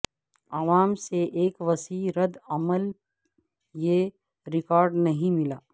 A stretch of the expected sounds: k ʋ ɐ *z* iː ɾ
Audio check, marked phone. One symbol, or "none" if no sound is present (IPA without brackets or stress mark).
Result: s